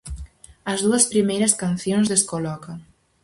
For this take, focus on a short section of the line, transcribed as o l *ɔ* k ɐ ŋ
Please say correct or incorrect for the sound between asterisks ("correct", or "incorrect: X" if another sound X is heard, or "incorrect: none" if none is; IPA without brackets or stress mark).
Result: correct